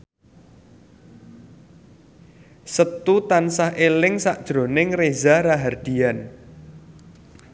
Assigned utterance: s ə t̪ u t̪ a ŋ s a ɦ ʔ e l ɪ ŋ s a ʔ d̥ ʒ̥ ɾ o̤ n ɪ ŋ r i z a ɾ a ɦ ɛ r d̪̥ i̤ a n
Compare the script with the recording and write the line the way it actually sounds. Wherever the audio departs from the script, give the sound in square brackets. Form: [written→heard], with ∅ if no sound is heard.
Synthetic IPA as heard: s ə t̪ u t̪ a [ŋ→n] s a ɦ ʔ e l ɪ ŋ s a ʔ d̥ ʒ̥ ɾ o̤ n ɪ ŋ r [i→e] z a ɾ a ɦ [ɛ→a] r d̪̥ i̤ a n